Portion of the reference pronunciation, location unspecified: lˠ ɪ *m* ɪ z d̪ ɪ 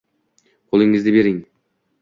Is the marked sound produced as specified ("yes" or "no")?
no